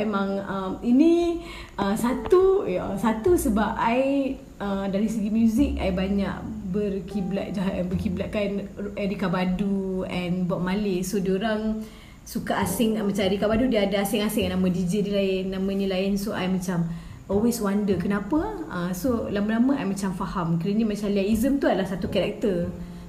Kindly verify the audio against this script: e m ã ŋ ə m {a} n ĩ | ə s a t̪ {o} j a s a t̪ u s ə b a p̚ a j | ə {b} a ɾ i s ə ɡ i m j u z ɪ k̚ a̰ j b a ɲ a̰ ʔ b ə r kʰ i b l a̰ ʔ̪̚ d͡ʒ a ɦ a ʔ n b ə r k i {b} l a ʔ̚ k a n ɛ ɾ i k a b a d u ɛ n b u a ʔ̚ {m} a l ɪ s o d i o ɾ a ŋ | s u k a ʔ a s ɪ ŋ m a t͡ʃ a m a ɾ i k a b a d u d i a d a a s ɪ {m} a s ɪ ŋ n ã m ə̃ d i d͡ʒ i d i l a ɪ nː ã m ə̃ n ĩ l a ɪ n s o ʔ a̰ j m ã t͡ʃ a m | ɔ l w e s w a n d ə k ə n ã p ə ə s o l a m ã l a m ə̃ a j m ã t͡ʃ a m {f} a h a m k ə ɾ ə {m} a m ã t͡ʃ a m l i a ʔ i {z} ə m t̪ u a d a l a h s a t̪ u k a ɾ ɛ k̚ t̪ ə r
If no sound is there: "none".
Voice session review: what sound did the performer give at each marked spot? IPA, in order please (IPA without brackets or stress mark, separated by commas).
i, u, d, b, m, ŋ, f, ɲ, z